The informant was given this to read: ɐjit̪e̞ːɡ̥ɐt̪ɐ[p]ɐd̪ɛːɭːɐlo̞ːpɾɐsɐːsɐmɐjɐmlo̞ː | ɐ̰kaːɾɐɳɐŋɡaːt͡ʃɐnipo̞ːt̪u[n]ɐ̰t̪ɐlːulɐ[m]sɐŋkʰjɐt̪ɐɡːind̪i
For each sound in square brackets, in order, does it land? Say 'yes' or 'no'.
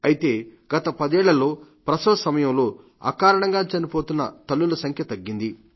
yes, no, no

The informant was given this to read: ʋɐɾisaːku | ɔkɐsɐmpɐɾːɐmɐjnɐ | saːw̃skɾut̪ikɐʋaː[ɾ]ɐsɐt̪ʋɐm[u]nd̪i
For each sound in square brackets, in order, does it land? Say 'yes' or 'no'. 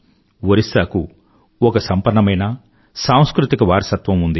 yes, yes

